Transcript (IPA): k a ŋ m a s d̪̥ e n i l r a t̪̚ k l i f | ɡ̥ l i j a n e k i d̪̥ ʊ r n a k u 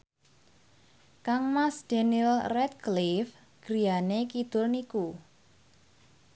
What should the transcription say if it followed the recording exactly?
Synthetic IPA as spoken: k a ŋ m a s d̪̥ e n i l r ɛ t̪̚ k l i f | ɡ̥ ɾ i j a n e k i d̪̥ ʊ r n i k u